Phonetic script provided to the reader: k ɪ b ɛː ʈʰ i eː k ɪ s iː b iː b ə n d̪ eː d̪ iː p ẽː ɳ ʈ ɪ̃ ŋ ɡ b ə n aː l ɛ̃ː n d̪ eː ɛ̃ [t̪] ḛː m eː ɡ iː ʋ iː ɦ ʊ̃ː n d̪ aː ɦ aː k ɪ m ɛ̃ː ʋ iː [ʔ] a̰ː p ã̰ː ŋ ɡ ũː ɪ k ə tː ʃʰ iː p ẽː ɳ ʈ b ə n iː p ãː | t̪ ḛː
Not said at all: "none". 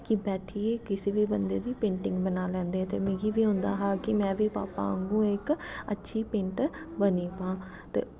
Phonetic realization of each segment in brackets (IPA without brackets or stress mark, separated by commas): t̪, p